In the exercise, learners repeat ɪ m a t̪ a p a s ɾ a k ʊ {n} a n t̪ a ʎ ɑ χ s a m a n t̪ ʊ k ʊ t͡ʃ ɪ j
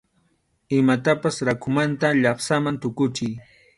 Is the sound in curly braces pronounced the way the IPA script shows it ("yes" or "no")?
no